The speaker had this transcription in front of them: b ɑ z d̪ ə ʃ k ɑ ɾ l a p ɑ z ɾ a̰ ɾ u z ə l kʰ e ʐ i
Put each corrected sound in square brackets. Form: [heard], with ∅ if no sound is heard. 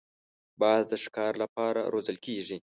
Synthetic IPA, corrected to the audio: b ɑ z d̪ ə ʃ k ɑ ɾ l a p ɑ [∅] ɾ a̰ ɾ [o] z ə l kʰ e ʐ i